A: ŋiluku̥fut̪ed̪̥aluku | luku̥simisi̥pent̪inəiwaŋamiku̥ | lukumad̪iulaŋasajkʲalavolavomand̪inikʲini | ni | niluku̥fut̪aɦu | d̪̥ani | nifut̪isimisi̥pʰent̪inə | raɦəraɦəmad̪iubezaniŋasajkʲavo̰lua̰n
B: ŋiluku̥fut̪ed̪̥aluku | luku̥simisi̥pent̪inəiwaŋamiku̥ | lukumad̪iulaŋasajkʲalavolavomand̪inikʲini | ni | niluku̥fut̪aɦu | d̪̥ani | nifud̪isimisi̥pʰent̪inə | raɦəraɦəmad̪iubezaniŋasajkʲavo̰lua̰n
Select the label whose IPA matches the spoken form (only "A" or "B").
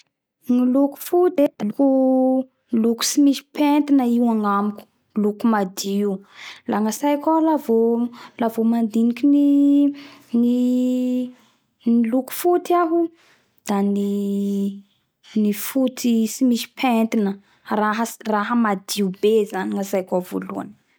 A